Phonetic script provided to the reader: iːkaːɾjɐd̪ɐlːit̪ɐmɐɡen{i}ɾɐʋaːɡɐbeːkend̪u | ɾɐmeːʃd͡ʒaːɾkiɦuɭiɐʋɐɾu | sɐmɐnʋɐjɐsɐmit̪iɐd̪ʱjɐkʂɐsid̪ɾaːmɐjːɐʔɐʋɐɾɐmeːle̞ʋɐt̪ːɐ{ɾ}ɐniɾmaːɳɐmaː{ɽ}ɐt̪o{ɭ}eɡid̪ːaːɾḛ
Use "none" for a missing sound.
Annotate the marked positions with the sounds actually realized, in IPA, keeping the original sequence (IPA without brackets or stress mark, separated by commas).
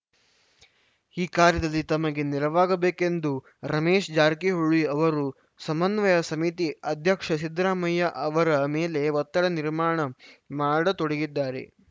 i, ɽ, ɽ, ɽ